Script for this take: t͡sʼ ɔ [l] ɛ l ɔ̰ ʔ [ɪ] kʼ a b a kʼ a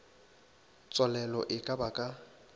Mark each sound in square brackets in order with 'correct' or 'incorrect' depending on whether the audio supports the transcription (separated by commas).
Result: correct, correct